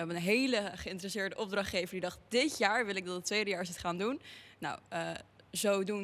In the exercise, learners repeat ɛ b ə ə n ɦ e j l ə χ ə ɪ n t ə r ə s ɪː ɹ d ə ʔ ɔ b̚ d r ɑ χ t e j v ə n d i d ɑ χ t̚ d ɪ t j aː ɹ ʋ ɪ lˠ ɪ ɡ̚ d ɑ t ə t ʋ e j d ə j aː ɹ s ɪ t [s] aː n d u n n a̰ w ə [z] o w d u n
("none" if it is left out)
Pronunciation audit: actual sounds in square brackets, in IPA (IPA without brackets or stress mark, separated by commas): χ, z